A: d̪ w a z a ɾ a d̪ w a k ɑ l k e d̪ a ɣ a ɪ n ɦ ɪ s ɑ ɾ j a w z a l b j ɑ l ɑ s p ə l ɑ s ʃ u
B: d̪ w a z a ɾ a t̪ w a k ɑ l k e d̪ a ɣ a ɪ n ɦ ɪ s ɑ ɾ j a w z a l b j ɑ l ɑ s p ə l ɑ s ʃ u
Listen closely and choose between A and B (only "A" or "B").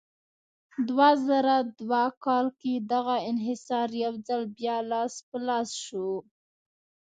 A